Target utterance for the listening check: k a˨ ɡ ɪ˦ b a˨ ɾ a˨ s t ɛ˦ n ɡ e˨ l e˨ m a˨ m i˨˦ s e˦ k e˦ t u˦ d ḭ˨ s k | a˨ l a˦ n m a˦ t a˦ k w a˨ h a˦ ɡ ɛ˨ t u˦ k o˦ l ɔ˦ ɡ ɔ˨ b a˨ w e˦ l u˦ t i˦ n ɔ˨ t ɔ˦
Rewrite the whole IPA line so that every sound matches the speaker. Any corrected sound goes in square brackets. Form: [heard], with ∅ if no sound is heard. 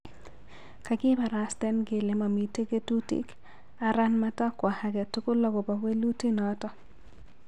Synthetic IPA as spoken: k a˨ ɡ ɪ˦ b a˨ ɾ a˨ s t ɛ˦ n ɡ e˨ l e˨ m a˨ m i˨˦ [t] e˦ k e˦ t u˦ [t] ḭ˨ [∅] k | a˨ [ɾ] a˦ n m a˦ t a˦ k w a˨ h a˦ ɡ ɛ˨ t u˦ k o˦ l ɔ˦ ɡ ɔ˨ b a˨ w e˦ l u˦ t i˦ n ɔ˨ t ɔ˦